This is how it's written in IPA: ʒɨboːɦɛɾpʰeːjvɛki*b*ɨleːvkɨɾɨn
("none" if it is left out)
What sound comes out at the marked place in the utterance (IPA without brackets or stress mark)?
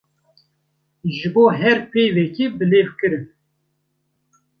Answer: b